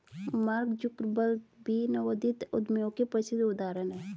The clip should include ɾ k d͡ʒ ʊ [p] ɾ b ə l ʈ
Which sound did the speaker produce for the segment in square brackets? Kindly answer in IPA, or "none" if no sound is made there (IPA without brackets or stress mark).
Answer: k